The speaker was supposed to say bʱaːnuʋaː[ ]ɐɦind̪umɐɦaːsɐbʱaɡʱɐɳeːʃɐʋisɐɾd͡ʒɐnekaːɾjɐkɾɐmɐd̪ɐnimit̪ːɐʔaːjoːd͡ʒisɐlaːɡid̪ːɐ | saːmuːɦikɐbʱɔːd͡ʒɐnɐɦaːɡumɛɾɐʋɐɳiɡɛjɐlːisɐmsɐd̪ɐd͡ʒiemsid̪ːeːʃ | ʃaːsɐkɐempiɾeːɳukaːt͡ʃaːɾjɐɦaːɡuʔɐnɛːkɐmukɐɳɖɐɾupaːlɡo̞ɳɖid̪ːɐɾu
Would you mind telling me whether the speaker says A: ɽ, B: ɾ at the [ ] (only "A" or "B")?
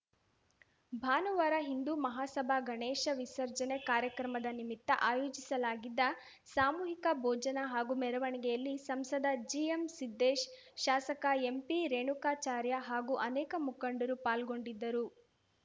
B